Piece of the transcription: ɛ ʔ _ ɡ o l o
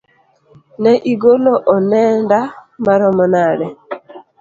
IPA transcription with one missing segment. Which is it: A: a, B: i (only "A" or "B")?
B